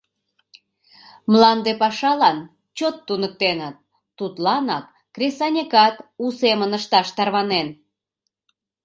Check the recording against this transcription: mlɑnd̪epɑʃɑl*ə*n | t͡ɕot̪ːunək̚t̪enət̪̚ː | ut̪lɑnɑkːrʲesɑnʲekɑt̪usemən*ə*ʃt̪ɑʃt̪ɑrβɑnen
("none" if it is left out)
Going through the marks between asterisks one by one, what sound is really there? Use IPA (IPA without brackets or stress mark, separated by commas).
ɑ, ə